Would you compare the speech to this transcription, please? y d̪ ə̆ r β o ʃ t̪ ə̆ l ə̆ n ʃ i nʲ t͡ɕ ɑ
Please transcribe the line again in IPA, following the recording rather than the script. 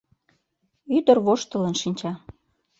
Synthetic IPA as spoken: y d̪ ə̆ r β o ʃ t̪ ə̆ l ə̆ n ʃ i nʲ t͡ɕ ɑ

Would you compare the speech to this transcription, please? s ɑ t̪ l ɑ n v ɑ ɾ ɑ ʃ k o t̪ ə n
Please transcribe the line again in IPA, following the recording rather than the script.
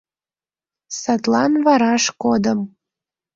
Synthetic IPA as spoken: s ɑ t̪ l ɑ n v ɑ ɾ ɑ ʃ k o d̪ ə m

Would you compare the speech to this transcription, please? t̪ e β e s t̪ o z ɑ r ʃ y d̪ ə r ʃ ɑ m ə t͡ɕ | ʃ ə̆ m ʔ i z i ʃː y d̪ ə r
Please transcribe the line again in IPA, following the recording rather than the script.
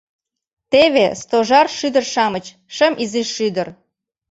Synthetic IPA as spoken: t̪ e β e s t̪ o ʒ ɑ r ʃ y d̪ ə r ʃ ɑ m ə t͡ɕ | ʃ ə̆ m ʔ i z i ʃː y d̪ ə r

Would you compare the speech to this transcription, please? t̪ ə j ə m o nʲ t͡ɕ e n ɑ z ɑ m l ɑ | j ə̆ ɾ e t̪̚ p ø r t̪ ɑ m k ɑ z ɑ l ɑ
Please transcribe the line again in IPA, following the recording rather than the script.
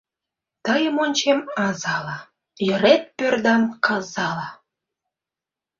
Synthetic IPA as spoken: t̪ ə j ə m o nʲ t͡ɕ e m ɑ z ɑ l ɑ | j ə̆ ɾ e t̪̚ p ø r d̪ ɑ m k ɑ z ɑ l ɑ

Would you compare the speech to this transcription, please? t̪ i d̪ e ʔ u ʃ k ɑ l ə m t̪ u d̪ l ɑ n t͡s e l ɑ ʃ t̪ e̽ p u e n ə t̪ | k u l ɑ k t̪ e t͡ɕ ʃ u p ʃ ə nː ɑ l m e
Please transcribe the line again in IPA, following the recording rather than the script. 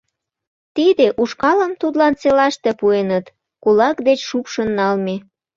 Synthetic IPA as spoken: t̪ i d̪ e ʔ u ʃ k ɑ l ə m t̪ u d̪ l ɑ n t͡s e l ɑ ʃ t̪ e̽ p u e n ə t̪ | k u l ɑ k d̪ e t͡ɕ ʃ u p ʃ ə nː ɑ l m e

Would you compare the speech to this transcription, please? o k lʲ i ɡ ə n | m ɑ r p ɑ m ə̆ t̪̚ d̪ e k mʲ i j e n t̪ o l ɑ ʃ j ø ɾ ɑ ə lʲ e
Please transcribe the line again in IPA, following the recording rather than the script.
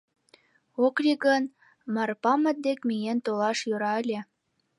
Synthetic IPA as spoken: o k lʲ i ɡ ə n | m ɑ r p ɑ m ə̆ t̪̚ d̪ e k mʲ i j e n t̪ o l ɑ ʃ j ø ɾ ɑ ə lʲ e

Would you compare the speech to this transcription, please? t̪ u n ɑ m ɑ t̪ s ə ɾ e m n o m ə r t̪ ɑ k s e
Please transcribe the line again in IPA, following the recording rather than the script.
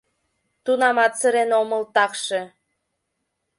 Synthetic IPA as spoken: t̪ u n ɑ m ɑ t̪ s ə ɾ e n o m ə l t̪ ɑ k ʃ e

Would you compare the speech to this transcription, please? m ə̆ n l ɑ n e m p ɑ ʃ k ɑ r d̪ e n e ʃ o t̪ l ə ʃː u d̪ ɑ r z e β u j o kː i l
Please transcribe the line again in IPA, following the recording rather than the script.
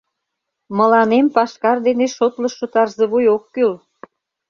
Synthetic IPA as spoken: m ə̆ l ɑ n e m p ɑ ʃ k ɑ r d̪ e n e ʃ o t̪ l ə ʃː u t̪ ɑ r z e β u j o kː y l

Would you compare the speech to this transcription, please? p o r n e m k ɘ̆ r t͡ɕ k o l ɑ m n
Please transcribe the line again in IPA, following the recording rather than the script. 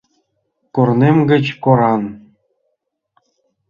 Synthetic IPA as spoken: k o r n e m ɡ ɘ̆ t͡ɕ k o ɾ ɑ n

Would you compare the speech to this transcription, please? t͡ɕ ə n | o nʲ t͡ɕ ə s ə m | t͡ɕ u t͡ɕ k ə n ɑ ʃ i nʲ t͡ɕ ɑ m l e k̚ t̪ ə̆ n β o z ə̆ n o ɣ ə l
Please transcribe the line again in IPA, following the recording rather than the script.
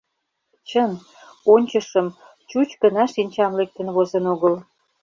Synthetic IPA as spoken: t͡ɕ ə n | o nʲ t͡ɕ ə ʃ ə m | t͡ɕ u t͡ɕ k ə n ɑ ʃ i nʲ t͡ɕ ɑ m l e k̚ t̪ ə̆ n β o z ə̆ n o ɣ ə l

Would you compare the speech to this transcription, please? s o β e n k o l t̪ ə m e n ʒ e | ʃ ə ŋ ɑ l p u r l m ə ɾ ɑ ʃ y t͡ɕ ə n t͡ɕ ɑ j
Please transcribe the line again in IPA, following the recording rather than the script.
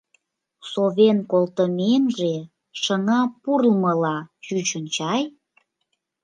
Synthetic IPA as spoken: s o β e n k o l t̪ ə m e n ʒ e | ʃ ə ŋ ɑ p u r l m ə l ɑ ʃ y t͡ɕ ə n t͡ɕ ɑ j

